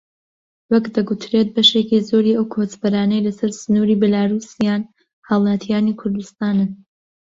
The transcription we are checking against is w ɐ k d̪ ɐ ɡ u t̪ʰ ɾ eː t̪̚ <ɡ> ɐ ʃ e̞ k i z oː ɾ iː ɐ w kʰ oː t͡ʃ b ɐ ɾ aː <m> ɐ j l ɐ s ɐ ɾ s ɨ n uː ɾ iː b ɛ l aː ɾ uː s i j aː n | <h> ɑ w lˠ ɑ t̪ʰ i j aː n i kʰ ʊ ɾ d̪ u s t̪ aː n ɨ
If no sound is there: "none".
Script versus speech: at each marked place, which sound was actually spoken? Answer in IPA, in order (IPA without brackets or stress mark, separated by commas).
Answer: b, n, h